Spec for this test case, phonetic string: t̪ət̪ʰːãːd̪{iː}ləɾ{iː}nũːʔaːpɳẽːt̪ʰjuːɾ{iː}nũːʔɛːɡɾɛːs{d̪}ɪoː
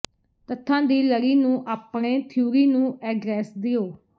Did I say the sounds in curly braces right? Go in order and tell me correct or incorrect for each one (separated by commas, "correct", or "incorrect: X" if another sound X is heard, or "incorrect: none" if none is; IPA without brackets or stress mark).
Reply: correct, correct, correct, correct